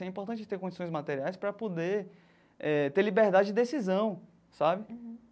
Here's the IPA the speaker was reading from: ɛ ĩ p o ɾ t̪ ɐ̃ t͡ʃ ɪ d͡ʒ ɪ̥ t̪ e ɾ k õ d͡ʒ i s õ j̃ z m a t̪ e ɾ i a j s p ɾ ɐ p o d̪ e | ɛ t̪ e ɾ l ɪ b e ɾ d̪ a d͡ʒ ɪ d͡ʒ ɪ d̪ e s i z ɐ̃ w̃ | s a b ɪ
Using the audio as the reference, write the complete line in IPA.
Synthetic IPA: ɛ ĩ p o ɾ t̪ ɐ̃ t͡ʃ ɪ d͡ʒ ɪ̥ t̪ e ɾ k õ d͡ʒ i s õ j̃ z m a t̪ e ɾ i a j s p ɾ ɐ p o d̪ e | ɛ t̪ e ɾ l i b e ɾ d̪ a d͡ʒ ɪ d͡ʒ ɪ d̪ e s i z ɐ̃ w̃ | s a b ɪ